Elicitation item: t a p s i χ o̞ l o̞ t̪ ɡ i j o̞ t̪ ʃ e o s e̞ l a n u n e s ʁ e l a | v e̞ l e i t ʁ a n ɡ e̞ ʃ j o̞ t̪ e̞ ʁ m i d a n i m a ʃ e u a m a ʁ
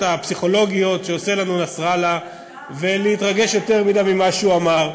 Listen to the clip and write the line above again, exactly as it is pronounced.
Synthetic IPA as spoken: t a p s i χ o̞ l o̞ ɡ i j o̞ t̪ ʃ e o s e̞ l a n u n a s ʁ a l a | v e̞ l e i t ʁ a ɡ e̞ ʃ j o̞ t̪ e̞ ʁ m i d a m i m a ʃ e u a m a ʁ